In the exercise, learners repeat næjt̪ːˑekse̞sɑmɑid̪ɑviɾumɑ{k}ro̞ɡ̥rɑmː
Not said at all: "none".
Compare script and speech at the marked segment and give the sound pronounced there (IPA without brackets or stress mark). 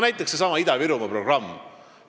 p